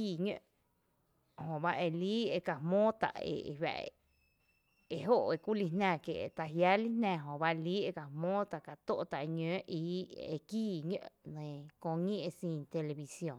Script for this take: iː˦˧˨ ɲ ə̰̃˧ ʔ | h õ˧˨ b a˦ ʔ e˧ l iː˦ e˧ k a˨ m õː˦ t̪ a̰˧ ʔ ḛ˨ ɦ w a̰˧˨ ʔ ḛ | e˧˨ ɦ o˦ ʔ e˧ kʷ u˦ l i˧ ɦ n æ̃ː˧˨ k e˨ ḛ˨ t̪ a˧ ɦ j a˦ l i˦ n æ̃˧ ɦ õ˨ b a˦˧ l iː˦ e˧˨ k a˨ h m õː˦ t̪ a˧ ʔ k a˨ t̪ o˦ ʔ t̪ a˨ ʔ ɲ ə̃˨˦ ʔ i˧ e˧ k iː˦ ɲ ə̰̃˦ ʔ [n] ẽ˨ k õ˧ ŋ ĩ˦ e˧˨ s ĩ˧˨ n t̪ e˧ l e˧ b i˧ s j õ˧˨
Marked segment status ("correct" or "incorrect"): correct